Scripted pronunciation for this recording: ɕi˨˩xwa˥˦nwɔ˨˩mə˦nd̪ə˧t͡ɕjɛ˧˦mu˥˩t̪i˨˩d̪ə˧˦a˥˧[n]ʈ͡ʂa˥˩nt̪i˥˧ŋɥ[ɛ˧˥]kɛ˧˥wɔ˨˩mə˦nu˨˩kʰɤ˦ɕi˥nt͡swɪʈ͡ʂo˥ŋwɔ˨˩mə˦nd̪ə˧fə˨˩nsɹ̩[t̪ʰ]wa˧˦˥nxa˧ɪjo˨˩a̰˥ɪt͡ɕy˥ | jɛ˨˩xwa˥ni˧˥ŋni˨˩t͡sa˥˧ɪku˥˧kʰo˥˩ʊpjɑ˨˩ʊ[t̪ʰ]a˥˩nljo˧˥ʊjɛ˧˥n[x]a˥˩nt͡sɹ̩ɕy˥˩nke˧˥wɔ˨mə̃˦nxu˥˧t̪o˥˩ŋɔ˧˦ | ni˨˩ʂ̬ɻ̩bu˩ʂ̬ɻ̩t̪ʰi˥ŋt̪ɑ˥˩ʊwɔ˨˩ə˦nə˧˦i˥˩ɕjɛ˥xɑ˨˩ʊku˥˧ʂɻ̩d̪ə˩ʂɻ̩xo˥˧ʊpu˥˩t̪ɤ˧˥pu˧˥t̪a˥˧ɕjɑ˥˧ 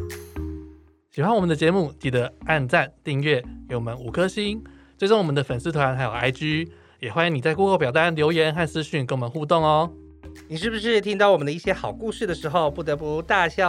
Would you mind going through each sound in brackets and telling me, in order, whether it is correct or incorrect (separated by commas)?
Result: correct, incorrect, correct, incorrect, correct